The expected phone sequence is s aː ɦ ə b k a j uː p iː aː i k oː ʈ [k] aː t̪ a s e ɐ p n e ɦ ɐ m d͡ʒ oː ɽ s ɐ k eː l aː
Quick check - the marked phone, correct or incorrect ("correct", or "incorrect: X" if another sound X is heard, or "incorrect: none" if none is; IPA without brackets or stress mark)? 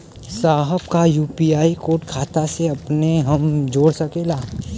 incorrect: kʰ